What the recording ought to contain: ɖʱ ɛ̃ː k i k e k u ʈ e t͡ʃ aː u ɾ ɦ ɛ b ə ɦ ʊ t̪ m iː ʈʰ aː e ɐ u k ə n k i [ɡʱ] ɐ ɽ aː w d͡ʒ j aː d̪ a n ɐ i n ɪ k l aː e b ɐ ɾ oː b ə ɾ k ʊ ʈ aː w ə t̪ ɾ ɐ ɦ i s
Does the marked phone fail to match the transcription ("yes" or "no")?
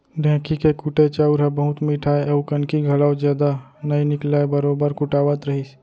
no